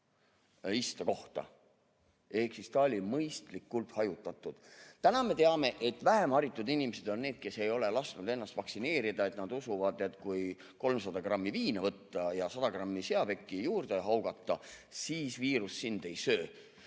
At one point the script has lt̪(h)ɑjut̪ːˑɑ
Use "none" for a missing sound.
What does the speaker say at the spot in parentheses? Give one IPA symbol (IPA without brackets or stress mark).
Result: h